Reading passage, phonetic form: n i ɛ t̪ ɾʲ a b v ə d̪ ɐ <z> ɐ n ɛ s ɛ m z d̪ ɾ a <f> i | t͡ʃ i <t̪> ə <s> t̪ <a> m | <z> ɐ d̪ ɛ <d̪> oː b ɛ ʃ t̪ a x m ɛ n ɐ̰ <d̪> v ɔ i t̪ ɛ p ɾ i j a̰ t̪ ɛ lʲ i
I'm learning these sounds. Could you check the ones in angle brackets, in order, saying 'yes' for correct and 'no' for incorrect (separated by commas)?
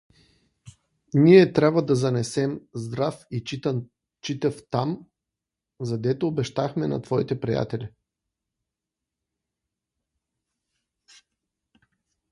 yes, yes, yes, no, yes, yes, no, no